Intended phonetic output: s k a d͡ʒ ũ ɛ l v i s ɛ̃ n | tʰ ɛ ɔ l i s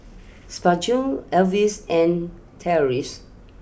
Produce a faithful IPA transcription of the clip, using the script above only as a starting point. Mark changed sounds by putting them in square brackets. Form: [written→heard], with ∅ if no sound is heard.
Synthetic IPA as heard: s [k→p] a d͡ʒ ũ ɛ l v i s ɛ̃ n | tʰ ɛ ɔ [l→ɹ] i s